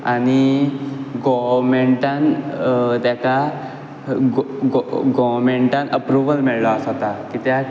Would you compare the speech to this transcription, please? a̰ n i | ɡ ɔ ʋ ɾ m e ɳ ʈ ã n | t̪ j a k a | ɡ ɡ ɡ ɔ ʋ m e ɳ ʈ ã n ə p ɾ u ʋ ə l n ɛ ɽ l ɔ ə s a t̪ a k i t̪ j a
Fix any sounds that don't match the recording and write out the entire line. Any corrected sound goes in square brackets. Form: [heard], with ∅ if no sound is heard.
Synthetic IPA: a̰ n i | ɡ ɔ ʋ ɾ m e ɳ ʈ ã n | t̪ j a k a | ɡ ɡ ɡ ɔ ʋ m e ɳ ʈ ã n ə p ɾ u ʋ ə l [m] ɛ [ɭ] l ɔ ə s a t̪ a k i t̪ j a